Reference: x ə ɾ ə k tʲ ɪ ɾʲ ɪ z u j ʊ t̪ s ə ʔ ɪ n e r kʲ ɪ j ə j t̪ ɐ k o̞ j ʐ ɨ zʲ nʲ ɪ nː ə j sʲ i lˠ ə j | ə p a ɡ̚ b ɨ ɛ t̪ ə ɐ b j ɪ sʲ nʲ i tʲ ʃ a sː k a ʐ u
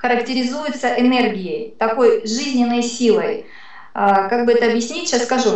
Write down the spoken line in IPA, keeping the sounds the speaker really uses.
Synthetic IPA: x ə ɾ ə k tʲ ɪ ɾʲ ɪ z u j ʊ t̪ s ə ʔ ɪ n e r ɡʲ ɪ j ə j t̪ ɐ k o̞ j ʐ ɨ zʲ nʲ ɪ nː ə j sʲ i lˠ ə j | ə k a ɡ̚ b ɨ ɛ t̪ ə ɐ b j ɪ sʲ nʲ i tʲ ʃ a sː k ɐ ʐ u